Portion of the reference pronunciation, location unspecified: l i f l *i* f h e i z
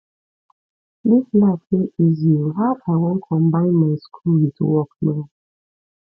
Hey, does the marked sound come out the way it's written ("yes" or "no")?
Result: no